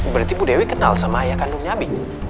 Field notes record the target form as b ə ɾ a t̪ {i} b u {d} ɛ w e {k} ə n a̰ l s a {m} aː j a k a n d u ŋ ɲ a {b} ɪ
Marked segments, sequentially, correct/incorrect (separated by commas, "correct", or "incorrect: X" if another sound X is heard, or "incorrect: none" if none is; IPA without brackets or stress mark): correct, correct, correct, correct, correct